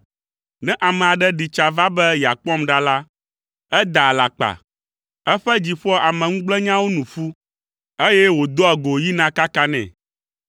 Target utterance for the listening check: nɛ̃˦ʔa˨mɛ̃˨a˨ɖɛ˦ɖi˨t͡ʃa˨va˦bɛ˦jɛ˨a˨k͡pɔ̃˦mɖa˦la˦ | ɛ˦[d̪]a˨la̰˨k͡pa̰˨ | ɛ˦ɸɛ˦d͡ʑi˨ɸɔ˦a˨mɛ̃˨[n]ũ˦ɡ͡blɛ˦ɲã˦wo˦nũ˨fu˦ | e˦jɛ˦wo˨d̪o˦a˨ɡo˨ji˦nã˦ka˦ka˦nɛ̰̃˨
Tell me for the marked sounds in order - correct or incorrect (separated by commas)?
correct, incorrect